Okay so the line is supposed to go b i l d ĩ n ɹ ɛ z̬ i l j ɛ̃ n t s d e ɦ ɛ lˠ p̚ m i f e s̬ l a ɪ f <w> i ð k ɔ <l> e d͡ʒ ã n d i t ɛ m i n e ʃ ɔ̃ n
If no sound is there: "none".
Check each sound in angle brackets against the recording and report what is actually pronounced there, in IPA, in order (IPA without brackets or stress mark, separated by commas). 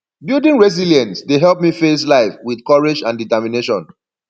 w, ɹ